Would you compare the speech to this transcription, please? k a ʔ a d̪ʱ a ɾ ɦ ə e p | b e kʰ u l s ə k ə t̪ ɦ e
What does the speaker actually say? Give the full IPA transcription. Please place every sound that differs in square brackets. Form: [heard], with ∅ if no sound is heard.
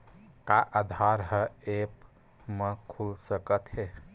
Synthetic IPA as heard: k a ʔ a d̪ʱ a ɾ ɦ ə e p | [m] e kʰ u l s ə k ə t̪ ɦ e